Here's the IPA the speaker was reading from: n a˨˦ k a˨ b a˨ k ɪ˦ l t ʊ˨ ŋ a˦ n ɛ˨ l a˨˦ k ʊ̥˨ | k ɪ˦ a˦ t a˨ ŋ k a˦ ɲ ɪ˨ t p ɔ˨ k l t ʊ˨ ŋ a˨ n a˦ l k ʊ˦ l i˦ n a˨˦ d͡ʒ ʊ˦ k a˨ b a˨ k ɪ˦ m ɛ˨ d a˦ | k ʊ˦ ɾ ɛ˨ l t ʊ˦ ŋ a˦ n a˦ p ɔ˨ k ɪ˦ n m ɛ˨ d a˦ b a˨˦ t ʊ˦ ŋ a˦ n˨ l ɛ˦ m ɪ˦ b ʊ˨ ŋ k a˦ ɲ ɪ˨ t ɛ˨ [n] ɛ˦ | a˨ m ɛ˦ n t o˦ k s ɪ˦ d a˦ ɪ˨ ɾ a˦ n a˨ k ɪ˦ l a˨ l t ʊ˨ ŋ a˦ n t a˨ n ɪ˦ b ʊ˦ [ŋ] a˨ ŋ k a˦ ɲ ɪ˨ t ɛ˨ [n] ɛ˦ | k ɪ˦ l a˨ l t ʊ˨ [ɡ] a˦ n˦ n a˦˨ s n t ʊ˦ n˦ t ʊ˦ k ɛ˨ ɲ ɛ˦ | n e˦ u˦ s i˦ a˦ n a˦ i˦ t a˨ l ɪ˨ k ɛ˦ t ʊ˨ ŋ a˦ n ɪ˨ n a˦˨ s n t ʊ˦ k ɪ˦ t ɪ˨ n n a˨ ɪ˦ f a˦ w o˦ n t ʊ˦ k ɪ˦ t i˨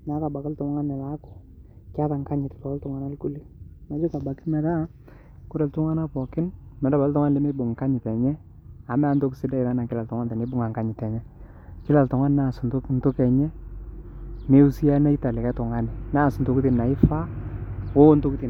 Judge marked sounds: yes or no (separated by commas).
no, yes, no, no